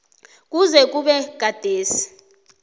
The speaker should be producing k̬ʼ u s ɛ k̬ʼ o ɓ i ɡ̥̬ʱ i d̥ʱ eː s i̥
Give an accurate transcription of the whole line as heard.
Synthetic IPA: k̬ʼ u z ɛ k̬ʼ u ɓ ɛ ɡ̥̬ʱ a d̥ʱ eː s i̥